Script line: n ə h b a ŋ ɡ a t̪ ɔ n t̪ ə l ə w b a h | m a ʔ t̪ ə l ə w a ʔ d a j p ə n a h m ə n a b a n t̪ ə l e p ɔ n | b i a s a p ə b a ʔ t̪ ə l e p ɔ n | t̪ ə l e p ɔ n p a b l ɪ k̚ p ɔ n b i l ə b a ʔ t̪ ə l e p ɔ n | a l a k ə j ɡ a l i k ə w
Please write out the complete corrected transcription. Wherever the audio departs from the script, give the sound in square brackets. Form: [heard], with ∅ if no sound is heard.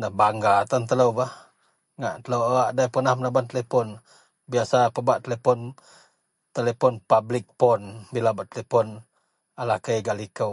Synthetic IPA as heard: n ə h b a ŋ ɡ a t̪ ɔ n t̪ ə l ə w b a h | [ŋ] a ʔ t̪ ə l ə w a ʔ d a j p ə n a h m ə n a b a n t̪ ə l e p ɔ n | b i a s a p ə b a ʔ t̪ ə l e p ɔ n | t̪ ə l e p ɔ n p a b l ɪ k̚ p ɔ n b i l [a] b a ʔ t̪ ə l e p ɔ n | a l a k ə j ɡ a l i k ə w